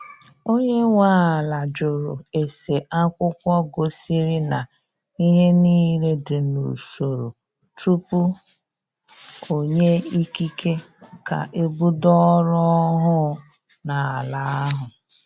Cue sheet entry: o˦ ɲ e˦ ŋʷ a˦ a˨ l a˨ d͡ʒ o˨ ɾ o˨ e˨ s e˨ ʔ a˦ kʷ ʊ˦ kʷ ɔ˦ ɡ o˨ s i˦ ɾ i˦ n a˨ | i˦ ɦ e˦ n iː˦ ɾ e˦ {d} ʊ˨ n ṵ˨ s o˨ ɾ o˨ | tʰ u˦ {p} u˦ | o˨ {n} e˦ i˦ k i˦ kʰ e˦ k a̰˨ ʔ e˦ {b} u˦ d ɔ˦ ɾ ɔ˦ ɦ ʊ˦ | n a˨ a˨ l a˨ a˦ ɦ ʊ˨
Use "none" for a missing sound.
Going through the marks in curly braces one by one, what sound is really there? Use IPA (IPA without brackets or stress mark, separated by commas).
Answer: d, p, ɲ, b